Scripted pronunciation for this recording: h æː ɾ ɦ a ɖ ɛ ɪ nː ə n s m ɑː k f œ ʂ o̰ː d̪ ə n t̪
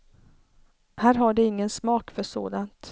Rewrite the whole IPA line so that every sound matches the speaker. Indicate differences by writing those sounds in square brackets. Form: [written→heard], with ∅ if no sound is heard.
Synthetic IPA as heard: h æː ɾ ɦ a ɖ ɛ ɪ [nː→ŋː] ə n s m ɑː k f œ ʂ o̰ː d̪ [ə→a] n t̪